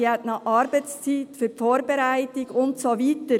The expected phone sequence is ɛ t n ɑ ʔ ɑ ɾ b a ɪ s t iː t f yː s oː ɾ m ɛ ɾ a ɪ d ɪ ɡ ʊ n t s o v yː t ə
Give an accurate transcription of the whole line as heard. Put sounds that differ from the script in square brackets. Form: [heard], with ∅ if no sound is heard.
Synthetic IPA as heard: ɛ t n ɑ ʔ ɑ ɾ b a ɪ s [t͡s] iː t f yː [f] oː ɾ [b] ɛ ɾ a ɪ [t] ɪ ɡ ʊ n t s o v [iː] t ə